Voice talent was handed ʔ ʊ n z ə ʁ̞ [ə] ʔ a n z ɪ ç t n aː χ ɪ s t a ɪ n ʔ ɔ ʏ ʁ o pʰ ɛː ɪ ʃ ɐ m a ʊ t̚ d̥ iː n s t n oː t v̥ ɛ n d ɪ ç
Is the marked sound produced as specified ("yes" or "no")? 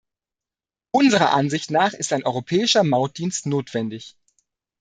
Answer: no